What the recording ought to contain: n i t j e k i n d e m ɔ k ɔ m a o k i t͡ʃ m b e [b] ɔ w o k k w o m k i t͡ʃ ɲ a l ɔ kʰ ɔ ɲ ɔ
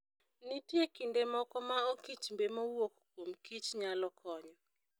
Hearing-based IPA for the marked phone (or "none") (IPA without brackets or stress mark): m